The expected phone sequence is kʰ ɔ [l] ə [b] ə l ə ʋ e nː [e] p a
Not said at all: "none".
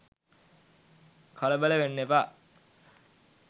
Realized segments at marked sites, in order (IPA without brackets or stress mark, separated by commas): l, b, e